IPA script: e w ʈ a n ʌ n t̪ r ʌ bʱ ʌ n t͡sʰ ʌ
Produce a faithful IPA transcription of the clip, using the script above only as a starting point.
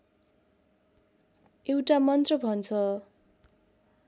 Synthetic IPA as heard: e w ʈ a m ʌ n t̪ r ʌ bʱ ʌ n t͡sʰ ʌ